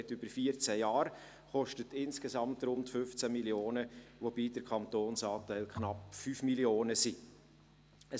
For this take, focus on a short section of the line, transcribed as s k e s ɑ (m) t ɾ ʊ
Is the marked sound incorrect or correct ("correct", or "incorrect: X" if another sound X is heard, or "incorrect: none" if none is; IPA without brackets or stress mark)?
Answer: correct